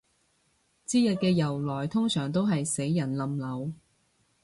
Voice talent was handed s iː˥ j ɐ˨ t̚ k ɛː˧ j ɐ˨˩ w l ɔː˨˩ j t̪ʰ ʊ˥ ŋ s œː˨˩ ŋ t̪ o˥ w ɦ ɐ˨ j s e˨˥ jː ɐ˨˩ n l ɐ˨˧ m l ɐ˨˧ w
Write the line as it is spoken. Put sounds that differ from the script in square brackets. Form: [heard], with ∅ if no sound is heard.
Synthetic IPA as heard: [t͡s] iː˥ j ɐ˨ t̚ k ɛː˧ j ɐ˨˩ w l ɔː˨˩ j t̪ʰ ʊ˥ ŋ s œː˨˩ ŋ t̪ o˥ w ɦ ɐ˨ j s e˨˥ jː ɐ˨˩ n l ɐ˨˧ m l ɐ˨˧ w